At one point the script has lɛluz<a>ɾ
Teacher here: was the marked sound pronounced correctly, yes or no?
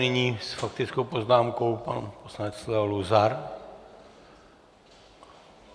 yes